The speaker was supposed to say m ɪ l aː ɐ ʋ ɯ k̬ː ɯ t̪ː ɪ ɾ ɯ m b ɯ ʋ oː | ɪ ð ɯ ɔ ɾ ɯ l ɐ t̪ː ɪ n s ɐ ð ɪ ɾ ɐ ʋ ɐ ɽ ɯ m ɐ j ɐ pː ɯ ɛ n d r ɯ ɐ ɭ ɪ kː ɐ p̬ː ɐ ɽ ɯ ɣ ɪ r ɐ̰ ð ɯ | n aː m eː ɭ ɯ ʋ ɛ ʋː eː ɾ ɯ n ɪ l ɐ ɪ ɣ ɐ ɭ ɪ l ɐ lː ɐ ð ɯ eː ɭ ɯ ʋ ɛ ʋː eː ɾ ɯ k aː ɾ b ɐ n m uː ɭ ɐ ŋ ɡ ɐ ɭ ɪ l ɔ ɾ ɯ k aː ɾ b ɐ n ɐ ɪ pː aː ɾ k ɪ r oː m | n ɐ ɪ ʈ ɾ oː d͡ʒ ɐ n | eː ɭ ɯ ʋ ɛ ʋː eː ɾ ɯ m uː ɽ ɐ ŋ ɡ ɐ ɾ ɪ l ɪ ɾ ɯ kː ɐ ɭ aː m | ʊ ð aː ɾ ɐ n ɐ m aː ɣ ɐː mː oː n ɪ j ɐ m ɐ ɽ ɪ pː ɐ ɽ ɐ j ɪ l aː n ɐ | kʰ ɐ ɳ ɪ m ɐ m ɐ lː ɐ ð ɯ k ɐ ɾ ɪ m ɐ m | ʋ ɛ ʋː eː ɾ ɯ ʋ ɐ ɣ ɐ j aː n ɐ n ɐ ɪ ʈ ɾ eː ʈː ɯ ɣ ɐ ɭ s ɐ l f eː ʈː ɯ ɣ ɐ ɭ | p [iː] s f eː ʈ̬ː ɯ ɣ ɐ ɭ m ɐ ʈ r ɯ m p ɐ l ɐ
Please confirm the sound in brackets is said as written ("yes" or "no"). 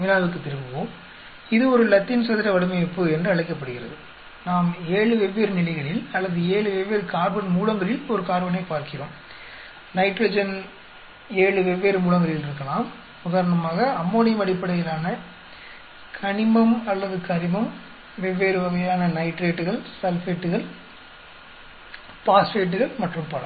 no